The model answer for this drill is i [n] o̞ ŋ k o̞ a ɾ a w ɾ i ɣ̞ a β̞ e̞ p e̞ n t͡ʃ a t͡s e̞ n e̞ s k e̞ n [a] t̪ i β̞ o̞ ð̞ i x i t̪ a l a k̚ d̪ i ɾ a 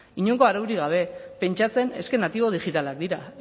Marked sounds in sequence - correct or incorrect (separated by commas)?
incorrect, correct